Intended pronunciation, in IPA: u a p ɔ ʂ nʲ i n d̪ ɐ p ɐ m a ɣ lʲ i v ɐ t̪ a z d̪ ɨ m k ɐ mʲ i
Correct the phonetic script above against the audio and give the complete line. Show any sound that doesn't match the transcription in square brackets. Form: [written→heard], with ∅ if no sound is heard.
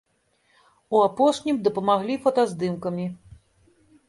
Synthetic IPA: u a p ɔ ʂ nʲ i [n→m] d̪ ɐ p ɐ m a ɣ lʲ i [v→f] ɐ t̪ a z d̪ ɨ m k ɐ mʲ i